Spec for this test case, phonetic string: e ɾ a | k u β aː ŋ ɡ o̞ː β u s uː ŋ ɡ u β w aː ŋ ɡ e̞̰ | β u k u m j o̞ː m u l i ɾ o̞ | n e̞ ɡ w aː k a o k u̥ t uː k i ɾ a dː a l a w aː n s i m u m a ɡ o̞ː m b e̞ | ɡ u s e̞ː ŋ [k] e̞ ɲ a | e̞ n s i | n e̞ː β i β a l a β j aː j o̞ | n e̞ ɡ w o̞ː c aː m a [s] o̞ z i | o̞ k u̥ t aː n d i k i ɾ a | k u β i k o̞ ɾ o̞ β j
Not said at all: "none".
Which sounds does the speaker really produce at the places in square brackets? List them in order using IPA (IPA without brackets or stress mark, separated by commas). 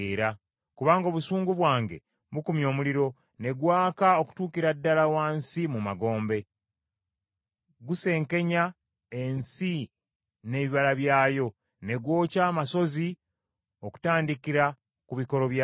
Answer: k, s